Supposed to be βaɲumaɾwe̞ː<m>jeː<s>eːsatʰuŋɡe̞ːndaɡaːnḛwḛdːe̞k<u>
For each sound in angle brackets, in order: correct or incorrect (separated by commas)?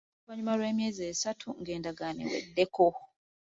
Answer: correct, incorrect, incorrect